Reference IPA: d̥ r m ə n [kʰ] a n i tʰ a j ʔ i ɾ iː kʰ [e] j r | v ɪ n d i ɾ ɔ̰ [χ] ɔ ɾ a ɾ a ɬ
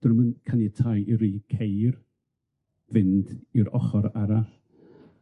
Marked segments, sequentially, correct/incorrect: correct, correct, correct

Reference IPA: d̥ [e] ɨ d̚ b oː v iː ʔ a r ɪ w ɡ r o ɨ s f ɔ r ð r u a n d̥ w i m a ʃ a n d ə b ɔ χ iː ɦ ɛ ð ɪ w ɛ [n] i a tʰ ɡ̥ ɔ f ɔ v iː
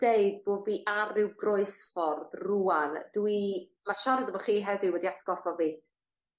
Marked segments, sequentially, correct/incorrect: correct, incorrect: d

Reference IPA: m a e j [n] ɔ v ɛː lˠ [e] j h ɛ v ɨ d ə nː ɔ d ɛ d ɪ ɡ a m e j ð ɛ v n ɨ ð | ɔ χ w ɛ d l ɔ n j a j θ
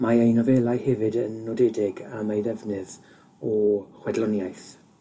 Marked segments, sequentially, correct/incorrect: correct, incorrect: a

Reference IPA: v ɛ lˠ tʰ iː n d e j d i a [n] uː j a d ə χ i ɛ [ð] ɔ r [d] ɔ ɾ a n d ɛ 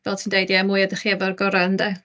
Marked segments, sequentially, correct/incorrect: incorrect: m, incorrect: v, incorrect: ɡ

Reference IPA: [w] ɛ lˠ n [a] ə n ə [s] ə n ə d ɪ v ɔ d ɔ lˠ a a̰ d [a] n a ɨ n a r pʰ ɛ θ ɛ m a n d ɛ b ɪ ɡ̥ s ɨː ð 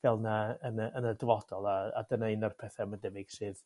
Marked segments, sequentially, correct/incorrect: incorrect: v, correct, incorrect: none, incorrect: ə

